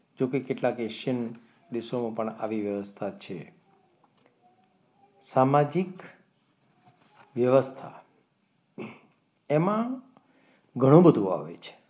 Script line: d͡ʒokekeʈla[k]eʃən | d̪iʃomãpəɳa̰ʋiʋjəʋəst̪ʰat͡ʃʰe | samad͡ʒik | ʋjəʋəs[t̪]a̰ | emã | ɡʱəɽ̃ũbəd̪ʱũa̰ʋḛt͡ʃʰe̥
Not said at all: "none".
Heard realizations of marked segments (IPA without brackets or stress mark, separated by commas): k, t̪ʰ